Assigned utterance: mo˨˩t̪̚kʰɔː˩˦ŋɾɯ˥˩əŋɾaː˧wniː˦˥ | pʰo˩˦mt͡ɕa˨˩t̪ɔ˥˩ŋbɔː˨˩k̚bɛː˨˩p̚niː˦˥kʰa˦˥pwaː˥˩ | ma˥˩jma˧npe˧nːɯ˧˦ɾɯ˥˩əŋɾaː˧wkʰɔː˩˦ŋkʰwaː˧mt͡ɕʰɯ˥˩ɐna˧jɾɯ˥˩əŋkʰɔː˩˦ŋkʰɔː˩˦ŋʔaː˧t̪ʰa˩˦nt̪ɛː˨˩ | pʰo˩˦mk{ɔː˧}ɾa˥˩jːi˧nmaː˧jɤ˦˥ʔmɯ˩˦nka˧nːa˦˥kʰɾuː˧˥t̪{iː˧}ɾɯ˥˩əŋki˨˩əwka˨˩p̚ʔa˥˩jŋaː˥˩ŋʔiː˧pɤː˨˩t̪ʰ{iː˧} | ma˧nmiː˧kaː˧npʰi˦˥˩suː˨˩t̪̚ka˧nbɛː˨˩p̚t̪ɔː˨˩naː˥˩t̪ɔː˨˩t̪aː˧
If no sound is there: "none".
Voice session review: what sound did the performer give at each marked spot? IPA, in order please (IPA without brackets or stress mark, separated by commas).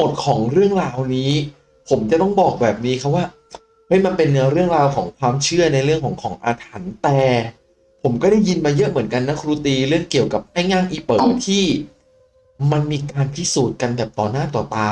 ɔː˥˩, iː˧, iː˥˩